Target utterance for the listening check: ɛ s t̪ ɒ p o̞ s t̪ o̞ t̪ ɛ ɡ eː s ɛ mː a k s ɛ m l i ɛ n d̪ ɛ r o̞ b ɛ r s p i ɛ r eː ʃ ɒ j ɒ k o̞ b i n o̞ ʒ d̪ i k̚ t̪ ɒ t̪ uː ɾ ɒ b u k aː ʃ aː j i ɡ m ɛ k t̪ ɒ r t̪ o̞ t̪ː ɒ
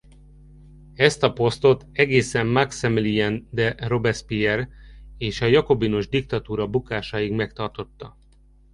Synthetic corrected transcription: ɛ s t̪ ɒ p o̞ s t̪ o̞ t̪ ɛ ɡ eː s ɛ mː a k s ɛ m l i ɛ n d̪ ɛ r o̞ b ɛ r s p i ɛ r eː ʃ ɒ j ɒ k o̞ b i n o̞ ʒ d̪ i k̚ t̪ ɒ t̪ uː ɾ ɒ b u k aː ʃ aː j i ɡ m ɛ k t̪ ɒ r t̪ o̞ t̪ː ɒ